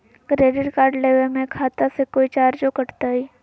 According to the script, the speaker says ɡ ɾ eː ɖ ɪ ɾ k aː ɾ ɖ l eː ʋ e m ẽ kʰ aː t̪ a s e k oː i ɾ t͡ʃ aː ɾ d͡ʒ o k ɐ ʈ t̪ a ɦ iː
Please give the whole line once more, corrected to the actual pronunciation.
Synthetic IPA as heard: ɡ ɾ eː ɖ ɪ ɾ k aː ɾ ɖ l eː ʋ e m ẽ kʰ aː t̪ a s e k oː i t͡ʃ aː ɾ d͡ʒ o k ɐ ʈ t̪ a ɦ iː